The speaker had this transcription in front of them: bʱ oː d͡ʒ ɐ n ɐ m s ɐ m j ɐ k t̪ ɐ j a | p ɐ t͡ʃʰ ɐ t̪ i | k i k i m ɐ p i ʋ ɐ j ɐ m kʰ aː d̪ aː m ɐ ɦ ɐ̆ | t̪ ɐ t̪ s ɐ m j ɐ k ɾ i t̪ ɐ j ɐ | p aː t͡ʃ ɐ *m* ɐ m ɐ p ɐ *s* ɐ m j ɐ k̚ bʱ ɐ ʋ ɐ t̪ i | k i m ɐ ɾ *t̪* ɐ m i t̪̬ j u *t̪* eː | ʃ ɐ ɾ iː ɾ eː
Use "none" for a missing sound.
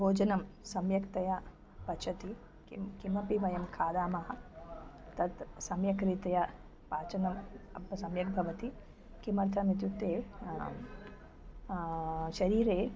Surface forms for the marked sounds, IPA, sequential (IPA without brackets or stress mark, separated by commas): n, s, t̪ʰ, t̪